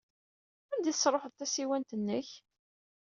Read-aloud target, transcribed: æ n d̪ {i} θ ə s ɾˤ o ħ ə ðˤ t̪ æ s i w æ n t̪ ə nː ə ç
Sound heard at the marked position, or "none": i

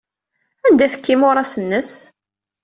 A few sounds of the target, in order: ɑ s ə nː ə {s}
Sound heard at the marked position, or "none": s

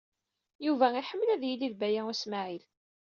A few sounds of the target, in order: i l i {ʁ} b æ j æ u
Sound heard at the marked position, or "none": ð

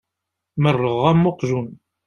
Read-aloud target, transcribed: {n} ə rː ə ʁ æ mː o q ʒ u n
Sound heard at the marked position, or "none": m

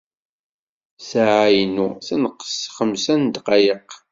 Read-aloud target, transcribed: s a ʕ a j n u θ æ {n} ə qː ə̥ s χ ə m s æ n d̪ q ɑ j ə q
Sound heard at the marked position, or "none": n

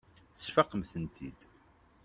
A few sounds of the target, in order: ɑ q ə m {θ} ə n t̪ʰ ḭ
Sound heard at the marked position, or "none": θ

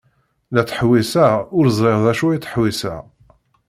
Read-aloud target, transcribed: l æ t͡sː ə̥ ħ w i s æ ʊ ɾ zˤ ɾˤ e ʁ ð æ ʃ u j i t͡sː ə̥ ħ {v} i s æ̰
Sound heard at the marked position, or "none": w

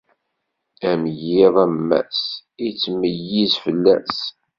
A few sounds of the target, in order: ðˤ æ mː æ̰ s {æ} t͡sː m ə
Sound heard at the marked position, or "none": i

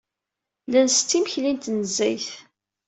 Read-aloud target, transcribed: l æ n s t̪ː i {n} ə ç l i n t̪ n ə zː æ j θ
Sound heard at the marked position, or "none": m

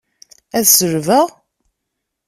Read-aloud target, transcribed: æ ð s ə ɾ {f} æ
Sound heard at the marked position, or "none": v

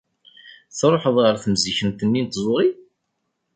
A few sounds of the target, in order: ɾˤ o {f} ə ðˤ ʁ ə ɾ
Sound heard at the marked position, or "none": ħ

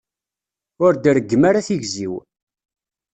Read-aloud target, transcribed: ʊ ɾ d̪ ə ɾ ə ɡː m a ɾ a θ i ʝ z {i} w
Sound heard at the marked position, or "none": i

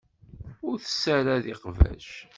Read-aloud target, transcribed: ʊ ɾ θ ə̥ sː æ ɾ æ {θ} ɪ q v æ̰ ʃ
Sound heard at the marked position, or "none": ð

